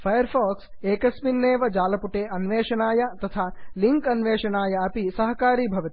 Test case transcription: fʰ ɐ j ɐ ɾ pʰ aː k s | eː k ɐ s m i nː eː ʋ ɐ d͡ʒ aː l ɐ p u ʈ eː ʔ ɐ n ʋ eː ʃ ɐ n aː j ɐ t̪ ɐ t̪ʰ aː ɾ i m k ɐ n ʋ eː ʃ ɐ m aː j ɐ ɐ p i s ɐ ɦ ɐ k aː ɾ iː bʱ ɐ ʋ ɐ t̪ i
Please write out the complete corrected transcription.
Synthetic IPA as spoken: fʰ ɐ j ɐ ɾ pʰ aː k s | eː k ɐ s m i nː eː ʋ ɐ d͡ʒ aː l ɐ p u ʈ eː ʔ ɐ n ʋ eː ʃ ɐ n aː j ɐ t̪ ɐ t̪ʰ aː l i ŋ k ɐ n ʋ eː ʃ ɐ n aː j ɐ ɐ p i s ɐ ɦ ɐ k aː ɾ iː bʱ ɐ ʋ ɐ t̪ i